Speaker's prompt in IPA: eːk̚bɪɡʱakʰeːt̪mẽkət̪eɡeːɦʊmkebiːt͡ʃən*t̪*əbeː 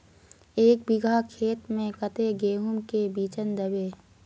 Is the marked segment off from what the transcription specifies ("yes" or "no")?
yes